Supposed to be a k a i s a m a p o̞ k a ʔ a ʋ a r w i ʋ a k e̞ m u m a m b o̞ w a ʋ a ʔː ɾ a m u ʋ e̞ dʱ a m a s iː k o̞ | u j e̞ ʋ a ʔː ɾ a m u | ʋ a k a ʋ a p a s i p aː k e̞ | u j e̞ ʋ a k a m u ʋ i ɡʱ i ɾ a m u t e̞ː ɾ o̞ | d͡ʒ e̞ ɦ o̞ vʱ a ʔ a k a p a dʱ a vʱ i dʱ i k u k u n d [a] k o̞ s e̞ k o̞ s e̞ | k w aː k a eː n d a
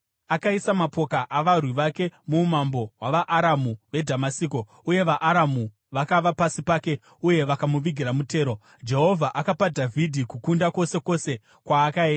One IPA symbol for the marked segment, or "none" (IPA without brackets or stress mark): a